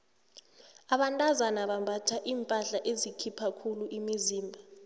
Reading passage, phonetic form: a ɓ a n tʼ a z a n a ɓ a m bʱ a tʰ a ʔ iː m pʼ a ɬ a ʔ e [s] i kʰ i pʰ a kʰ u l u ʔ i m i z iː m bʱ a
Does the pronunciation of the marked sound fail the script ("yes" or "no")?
yes